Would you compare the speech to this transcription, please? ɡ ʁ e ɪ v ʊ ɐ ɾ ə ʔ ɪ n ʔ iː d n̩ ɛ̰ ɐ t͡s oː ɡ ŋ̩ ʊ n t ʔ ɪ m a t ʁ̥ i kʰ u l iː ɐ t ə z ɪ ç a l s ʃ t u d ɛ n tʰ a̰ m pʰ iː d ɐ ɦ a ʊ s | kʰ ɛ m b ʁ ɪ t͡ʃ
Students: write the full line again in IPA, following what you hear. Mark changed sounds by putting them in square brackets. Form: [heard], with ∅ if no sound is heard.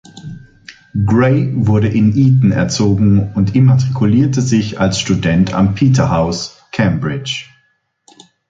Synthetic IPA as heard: ɡ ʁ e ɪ v ʊ ɐ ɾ ə ʔ ɪ n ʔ iː [t] n̩ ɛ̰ ɐ t͡s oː ɡ ŋ̩ ʊ n t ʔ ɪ m a t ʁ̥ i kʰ u l iː ɐ t ə z ɪ ç a l s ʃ t u d ɛ n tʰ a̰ m pʰ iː [t] ɐ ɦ a ʊ s | kʰ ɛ m b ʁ ɪ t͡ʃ